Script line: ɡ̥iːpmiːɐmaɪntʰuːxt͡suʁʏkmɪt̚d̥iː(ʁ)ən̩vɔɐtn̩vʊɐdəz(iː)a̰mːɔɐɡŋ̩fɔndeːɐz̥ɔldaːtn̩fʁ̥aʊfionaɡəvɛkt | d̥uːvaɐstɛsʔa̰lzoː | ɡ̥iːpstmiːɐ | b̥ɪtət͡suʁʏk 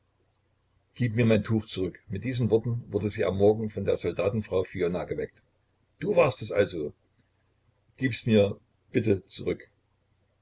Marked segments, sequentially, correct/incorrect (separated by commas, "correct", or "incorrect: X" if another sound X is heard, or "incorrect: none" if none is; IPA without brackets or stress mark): incorrect: z, correct